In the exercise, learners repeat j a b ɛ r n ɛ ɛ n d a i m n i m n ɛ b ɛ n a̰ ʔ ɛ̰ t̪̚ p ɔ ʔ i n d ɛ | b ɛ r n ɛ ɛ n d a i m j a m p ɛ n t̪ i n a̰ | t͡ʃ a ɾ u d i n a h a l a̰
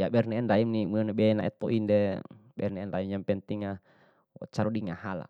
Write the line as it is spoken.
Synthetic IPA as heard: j a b ɛ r n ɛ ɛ n d a i m n i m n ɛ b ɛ n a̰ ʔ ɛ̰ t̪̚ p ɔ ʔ i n d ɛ | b ɛ r n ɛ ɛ n d a i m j a m p ɛ n t̪ i ŋ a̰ | t͡ʃ a ɾ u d i ŋ a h a l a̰